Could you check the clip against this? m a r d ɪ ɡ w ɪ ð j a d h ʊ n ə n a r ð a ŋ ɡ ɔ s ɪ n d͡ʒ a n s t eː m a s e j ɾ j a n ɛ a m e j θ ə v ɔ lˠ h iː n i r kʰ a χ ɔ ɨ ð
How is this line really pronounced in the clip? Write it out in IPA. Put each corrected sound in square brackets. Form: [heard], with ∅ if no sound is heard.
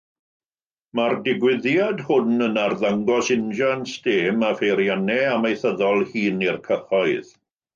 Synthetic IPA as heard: m a r d ɪ ɡ w ɪ ð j a d h ʊ n ə n a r ð a ŋ ɡ ɔ s ɪ n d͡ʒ a n s t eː m a [f] e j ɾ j a n ɛ a m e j θ ə [ð] ɔ lˠ h iː n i r kʰ [ə] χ ɔ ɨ ð

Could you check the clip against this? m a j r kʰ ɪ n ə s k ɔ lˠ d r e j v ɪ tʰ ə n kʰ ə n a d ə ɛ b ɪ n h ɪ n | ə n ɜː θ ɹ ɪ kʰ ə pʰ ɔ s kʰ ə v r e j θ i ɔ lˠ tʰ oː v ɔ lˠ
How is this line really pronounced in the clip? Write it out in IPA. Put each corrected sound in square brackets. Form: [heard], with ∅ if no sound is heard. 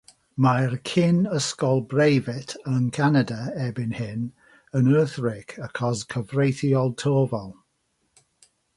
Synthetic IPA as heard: m a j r kʰ ɪ n ə s k ɔ lˠ [b] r e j v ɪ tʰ ə n kʰ [a] n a d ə ɛ b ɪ n h ɪ n | ə n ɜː θ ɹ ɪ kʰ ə [kʰ] ɔ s kʰ ə v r e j θ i ɔ lˠ tʰ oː v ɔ lˠ

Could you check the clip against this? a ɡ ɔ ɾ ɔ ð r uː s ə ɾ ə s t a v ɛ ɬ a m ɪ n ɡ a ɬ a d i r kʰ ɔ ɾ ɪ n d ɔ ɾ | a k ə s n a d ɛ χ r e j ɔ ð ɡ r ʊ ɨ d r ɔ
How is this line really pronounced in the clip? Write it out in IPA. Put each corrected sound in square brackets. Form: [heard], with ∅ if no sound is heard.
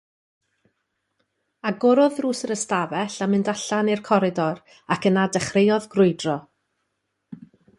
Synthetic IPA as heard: a ɡ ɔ ɾ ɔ ð r uː s ə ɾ ə s t a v ɛ ɬ a m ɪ n [d] a ɬ a [n] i r kʰ ɔ ɾ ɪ [∅] d ɔ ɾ | a k ə [∅] n a d ɛ χ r e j ɔ ð ɡ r ʊ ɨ d r ɔ

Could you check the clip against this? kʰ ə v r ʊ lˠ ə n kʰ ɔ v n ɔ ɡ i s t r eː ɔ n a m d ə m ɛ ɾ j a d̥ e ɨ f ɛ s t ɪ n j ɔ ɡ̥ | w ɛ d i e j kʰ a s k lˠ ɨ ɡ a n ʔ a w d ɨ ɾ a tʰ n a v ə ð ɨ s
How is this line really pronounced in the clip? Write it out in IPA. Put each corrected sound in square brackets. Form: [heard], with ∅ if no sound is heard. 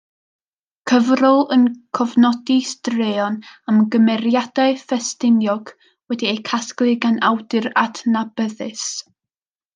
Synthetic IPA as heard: kʰ ə v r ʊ lˠ ə n kʰ ɔ v n ɔ [d] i s t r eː ɔ n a m [ɡ] ə m ɛ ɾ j a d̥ [a] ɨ f ɛ s t ɪ n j ɔ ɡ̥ | w ɛ d i e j kʰ a s k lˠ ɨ ɡ a n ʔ a w d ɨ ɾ a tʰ n a [b] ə ð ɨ s

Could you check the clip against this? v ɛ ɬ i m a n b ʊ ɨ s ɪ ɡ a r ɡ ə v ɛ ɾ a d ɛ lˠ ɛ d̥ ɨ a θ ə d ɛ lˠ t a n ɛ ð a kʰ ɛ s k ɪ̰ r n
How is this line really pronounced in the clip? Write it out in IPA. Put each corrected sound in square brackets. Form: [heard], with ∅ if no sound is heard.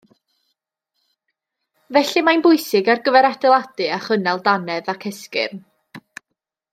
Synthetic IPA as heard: v ɛ ɬ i m a n b ʊ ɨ s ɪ ɡ a r ɡ ə v ɛ ɾ a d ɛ lˠ [a] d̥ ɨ a [χ] ə [n] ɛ lˠ [d] a n ɛ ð a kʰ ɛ s k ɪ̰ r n

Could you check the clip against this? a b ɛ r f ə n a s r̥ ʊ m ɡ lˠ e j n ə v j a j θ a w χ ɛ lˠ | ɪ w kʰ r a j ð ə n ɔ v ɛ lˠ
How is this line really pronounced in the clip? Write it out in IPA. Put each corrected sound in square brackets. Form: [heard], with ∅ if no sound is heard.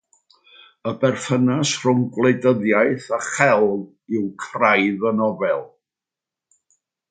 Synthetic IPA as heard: [ə] b ɛ r f ə n a s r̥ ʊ [ŋ] ɡ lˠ e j [d] ə [ð] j a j θ a [∅] χ ɛ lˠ | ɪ w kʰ r a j ð ə n ɔ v ɛ lˠ

